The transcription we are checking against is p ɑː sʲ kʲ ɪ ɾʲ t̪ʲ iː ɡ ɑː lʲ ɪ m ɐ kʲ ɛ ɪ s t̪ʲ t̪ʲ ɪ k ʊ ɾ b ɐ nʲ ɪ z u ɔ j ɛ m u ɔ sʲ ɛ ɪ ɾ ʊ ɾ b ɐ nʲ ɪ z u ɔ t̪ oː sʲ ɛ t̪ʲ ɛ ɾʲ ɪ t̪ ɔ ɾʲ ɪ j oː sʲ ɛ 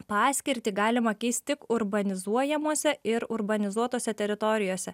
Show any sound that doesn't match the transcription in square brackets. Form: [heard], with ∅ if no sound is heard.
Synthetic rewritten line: p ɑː sʲ kʲ ɪ ɾʲ t̪ʲ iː ɡ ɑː lʲ ɪ m ɐ kʲ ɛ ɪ s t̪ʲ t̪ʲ ɪ k ʊ ɾ b ɐ nʲ ɪ z u ɔ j ɛ m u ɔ sʲ ɛ ɪ ɾ ʊ ɾ b ɐ nʲ ɪ z u ɔ t̪ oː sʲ ɛ t̪ʲ ɛ ɾʲ ɪ t̪ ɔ ɾʲ ɪ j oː sʲ ɛ